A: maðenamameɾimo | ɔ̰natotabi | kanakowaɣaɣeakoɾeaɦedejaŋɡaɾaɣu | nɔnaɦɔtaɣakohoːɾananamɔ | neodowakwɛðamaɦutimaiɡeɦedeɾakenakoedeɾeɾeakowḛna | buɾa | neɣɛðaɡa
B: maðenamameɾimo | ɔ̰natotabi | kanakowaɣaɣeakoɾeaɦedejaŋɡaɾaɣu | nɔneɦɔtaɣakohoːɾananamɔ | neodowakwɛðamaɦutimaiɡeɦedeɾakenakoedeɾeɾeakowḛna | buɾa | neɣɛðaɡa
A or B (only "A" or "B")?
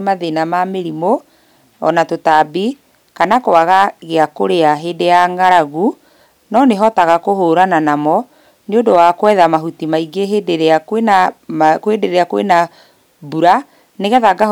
B